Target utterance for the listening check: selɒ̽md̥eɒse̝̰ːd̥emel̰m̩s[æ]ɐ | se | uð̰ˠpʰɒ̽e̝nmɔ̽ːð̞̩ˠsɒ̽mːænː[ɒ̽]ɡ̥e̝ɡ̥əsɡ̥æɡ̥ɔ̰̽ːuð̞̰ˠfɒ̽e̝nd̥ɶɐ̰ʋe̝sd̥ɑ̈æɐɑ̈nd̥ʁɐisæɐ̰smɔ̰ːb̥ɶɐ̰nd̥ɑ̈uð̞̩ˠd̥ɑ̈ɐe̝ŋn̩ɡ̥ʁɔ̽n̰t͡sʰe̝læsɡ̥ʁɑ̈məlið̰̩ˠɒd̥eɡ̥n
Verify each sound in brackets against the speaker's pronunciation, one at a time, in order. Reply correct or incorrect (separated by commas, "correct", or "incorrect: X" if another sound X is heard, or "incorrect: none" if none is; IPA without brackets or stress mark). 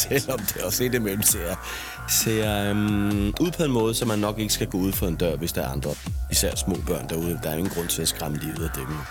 incorrect: e, correct